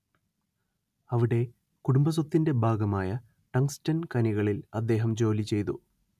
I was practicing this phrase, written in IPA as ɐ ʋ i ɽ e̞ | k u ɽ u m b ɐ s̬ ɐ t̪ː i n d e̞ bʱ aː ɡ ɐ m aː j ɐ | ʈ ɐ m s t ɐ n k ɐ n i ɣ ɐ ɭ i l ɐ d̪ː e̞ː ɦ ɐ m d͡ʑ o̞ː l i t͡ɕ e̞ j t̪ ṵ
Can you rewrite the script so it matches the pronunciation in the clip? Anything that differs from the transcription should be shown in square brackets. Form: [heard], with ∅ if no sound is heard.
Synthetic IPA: ɐ ʋ i ɽ e̞ | k u ɽ u m b ɐ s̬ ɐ t̪ː i n d e̞ bʱ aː ɡ ɐ m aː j ɐ | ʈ ɐ [ŋ] s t ɐ n k ɐ n i ɣ ɐ ɭ i l ɐ d̪ː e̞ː ɦ ɐ m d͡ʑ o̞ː l i t͡ɕ e̞ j t̪ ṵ